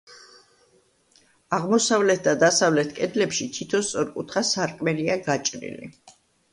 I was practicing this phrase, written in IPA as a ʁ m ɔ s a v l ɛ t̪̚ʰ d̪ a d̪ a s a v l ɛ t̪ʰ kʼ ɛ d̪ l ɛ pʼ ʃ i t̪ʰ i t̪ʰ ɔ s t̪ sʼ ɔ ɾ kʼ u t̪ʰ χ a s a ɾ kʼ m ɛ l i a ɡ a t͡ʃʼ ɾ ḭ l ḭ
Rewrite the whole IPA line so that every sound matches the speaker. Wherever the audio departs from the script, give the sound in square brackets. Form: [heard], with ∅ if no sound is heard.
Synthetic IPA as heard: a ʁ m ɔ s a v l ɛ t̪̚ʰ d̪ a d̪ a s a v l ɛ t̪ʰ kʼ ɛ d̪ l ɛ [p] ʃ i t̪ʰ i t̪ʰ ɔ s t̪ sʼ ɔ ɾ kʼ u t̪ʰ χ a s a ɾ kʼ m ɛ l i a ɡ a t͡ʃʼ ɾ ḭ l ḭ